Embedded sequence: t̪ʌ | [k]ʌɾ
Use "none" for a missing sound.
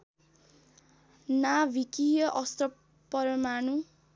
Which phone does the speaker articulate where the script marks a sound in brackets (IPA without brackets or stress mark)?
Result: p